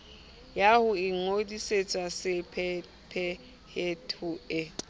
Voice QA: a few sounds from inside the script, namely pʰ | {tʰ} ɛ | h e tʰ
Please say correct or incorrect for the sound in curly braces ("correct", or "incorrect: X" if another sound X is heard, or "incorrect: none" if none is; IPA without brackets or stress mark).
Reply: incorrect: pʰ